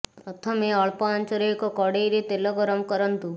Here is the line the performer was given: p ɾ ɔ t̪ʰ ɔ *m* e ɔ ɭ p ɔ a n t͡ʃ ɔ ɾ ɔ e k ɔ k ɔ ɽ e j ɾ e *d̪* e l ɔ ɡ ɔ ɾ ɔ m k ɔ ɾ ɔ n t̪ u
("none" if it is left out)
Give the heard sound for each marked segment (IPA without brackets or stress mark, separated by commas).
m, t̪